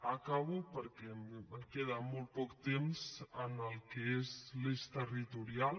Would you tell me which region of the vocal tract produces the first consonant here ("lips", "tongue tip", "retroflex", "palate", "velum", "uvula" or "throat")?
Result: velum